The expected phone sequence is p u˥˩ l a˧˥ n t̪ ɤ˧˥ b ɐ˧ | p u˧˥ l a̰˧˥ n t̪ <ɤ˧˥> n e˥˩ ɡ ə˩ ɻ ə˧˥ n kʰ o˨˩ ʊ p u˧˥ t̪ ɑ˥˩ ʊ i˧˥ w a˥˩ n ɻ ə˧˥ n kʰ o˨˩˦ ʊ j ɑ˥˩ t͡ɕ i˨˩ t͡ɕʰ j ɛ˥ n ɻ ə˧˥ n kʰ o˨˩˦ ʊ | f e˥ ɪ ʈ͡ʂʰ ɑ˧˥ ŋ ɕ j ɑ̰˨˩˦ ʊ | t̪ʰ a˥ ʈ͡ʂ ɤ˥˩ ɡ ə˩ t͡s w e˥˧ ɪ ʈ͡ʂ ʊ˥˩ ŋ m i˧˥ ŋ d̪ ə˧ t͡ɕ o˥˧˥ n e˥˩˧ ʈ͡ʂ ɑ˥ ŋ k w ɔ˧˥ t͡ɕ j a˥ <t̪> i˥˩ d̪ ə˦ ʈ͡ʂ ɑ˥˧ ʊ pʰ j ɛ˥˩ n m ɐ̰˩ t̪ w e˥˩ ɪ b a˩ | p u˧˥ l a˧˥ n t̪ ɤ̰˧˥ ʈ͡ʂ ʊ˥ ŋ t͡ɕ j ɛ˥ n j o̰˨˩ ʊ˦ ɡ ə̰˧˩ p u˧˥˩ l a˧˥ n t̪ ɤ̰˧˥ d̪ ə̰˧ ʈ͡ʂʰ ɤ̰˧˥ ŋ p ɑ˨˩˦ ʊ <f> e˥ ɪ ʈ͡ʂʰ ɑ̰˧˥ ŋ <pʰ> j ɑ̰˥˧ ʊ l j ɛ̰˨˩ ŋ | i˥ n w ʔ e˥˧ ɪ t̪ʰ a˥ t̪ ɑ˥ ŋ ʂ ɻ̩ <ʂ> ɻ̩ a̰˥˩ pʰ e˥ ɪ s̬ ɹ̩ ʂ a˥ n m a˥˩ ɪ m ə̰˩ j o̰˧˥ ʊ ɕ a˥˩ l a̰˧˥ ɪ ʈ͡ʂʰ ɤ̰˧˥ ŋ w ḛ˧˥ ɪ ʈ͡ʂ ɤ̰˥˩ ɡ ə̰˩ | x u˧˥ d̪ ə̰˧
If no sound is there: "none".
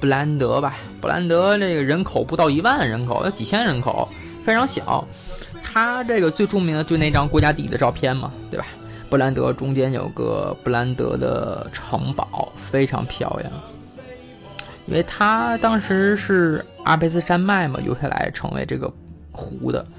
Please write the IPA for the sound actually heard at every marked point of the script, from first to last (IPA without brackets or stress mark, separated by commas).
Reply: ɤ˧˥, t̪, f, pʰ, ʂ